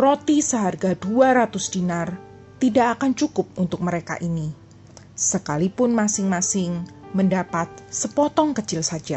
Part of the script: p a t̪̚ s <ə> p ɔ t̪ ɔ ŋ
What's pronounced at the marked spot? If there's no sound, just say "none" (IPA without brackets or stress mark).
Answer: ə